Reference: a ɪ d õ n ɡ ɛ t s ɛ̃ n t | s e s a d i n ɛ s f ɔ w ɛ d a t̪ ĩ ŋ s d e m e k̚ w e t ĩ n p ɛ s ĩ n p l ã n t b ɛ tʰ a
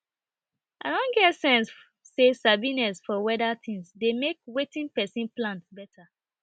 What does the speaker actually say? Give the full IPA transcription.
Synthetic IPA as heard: a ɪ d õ n ɡ ɛ t s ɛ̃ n s | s e s a b i n ɛ s f ɔ w ɛ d a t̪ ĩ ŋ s d e m e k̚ w e t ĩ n p ɛ s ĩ n p l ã n t b ɛ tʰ a